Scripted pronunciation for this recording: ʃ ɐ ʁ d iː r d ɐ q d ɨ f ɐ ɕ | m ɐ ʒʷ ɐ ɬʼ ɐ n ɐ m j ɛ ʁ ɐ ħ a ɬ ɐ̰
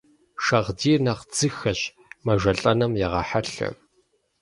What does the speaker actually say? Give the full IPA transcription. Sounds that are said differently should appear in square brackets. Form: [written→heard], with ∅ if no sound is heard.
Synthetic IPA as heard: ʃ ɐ ʁ d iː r [d→n] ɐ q [d→d͡z] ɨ [f→x] ɐ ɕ | m ɐ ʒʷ ɐ ɬʼ ɐ n ɐ m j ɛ ʁ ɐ ħ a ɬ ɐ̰